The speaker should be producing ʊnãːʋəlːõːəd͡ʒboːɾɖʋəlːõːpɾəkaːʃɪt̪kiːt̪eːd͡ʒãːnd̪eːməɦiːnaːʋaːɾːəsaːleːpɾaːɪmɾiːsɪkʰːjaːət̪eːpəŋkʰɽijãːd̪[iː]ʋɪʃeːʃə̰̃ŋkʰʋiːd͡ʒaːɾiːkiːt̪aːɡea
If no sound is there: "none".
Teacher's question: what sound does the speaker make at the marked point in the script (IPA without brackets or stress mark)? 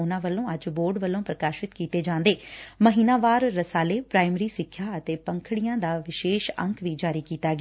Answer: aː